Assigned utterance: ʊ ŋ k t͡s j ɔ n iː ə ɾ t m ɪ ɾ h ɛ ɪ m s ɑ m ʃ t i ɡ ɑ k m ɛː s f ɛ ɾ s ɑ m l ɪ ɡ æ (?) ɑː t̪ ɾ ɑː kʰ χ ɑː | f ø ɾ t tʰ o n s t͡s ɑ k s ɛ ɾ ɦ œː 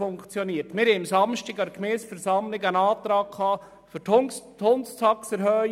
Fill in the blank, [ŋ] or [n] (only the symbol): n